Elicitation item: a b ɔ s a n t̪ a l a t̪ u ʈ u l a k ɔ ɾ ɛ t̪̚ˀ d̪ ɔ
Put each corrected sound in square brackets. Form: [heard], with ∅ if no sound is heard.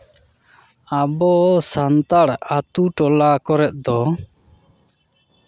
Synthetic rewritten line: a b ɔ s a n t̪ a [ɽ] a t̪ u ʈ [ɔ] l a k ɔ ɾ ɛ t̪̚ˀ d̪ ɔ